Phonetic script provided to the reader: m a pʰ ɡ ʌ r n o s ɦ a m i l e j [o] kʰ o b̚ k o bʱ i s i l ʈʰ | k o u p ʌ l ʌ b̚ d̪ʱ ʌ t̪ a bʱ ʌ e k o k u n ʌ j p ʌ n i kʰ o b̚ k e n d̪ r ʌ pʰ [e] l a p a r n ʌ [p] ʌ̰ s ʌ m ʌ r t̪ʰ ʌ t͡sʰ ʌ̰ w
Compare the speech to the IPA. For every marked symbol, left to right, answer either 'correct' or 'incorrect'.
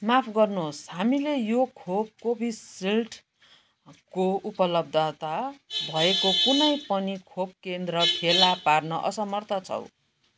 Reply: correct, correct, incorrect

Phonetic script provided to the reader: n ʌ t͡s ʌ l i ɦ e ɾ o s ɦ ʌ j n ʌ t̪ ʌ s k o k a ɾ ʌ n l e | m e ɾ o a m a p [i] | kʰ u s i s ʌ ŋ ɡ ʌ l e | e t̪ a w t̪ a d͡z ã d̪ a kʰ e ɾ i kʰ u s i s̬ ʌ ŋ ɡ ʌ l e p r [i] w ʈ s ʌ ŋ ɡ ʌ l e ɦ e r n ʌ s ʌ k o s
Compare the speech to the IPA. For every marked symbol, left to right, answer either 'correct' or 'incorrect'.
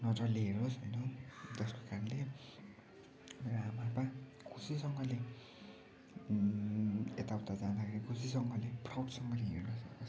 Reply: incorrect, incorrect

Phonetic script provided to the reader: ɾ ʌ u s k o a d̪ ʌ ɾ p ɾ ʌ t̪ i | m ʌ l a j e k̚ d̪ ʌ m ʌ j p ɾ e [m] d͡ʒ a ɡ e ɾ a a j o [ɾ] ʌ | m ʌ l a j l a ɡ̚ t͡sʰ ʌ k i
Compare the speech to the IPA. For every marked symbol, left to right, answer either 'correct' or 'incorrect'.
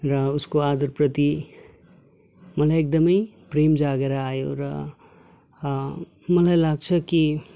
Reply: correct, correct

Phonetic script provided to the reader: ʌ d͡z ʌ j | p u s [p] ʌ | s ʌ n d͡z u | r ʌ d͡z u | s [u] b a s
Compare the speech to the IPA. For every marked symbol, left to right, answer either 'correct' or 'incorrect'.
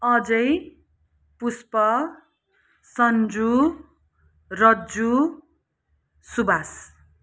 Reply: correct, correct

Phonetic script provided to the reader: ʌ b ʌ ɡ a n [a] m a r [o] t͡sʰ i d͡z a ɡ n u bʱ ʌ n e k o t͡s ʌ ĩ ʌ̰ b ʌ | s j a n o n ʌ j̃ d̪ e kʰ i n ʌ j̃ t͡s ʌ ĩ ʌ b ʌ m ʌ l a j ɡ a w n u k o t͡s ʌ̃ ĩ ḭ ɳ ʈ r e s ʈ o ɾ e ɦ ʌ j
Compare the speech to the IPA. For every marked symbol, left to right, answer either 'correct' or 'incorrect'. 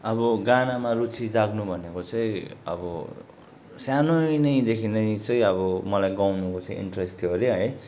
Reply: correct, incorrect

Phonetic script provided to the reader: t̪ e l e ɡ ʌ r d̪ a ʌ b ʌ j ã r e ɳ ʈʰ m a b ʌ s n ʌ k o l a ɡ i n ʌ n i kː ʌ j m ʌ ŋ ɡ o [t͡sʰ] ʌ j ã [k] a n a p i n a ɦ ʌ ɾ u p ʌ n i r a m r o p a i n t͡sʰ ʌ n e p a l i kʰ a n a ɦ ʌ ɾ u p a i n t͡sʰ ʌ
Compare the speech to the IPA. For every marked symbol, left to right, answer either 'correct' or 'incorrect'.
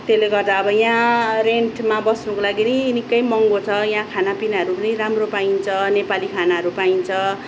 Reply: correct, incorrect

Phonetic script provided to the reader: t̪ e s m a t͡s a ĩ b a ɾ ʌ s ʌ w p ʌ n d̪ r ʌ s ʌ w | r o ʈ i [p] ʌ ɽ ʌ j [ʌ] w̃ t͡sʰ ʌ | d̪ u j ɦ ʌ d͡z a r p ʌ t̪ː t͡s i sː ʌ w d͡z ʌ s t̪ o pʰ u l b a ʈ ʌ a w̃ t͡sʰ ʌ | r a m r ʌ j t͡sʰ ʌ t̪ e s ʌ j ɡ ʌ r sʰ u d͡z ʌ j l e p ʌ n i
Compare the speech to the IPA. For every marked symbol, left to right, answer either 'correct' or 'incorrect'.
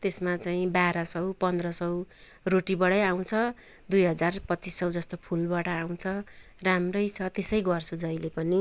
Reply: incorrect, incorrect

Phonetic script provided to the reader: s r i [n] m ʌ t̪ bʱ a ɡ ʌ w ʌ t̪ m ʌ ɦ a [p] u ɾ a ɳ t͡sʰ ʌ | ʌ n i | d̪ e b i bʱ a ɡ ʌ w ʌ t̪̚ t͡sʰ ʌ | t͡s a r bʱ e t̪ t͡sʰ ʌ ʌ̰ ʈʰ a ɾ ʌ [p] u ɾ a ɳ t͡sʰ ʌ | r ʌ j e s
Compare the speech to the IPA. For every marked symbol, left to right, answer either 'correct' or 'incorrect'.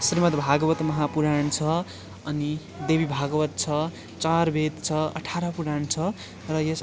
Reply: incorrect, correct, correct

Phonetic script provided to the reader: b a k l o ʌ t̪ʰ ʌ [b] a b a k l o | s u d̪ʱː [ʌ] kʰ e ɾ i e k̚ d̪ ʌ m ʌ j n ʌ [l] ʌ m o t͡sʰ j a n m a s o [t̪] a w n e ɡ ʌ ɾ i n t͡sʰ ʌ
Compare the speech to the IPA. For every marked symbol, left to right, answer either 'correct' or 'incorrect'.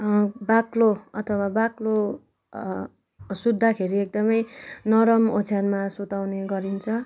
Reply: incorrect, incorrect, incorrect, correct

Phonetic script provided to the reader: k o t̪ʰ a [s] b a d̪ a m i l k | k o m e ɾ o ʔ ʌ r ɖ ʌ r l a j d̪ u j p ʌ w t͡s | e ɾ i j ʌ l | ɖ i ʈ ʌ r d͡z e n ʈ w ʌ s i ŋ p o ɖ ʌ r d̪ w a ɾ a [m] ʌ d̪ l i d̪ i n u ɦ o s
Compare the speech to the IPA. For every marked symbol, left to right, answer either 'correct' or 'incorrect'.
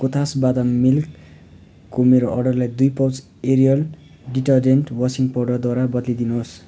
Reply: correct, incorrect

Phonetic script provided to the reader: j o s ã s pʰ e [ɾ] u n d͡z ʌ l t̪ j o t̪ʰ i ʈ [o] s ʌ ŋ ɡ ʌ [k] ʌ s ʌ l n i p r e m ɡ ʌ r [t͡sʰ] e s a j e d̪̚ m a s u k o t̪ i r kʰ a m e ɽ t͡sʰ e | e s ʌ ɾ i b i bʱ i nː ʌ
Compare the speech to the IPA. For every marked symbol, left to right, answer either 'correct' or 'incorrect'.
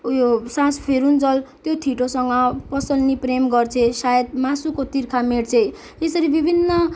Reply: correct, correct, incorrect, correct

